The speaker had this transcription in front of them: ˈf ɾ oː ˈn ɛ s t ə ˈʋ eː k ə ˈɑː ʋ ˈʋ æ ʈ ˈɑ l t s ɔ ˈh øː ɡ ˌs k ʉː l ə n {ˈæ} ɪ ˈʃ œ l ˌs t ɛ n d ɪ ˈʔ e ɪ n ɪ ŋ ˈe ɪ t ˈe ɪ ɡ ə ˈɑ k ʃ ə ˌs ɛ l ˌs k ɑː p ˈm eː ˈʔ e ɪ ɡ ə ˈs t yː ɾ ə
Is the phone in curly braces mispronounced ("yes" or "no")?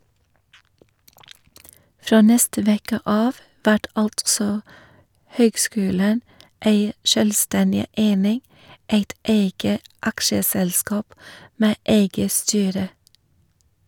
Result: yes